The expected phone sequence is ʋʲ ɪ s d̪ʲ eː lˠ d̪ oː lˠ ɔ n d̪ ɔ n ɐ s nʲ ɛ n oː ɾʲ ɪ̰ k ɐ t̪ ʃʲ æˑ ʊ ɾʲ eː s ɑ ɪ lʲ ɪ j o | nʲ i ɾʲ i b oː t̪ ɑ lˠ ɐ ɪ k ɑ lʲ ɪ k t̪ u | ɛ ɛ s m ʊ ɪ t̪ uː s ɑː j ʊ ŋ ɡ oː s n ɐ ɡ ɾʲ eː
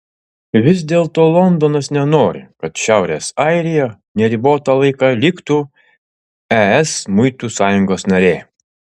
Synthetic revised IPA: ʋʲ ɪ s d̪ʲ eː lˠ t̪ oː lˠ ɔ n d̪ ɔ n ɐ s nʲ ɛ n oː ɾʲ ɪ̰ k ɐ t̪ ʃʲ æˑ ʊ ɾʲ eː s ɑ ɪ ɾʲ ɪ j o | nʲ ɛ ɾʲ i b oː t̪ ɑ lˠ ɐ ɪ k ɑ lʲ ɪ k t̪ u | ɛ ɛ s m ʊ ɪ t̪ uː s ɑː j ʊ ŋ ɡ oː s n ɐ ɾʲ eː